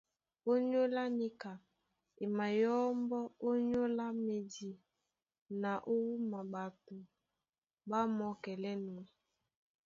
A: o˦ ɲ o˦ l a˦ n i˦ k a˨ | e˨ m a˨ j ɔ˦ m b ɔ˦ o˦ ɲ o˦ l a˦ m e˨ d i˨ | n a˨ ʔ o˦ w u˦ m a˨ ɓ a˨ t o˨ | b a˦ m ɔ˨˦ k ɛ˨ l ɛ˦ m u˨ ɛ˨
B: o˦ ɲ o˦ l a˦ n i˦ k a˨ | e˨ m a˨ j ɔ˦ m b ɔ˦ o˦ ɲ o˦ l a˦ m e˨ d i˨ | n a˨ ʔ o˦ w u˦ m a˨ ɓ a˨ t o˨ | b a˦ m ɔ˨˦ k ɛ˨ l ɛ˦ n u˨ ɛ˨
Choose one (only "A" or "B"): B